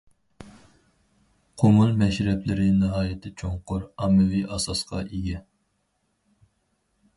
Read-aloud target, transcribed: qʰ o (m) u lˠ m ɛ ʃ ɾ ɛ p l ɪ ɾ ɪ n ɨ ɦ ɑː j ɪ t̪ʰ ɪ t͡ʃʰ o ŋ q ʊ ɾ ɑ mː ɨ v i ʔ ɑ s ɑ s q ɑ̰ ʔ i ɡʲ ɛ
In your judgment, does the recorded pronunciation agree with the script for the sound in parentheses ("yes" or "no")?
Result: yes